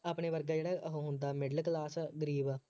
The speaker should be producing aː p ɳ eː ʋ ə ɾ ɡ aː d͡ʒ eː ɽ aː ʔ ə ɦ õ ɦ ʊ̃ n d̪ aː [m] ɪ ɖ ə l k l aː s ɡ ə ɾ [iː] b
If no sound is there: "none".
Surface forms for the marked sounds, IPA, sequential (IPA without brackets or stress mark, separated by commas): m, iː